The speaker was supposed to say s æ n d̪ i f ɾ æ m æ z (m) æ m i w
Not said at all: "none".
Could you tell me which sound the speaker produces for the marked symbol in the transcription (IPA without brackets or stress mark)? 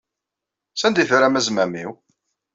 m